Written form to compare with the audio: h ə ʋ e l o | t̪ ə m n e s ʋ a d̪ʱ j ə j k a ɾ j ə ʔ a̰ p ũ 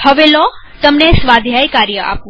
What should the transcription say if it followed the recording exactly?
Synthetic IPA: h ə ʋ e l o | t̪ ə m n e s ʋ a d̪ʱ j a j k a ɾ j ə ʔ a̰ p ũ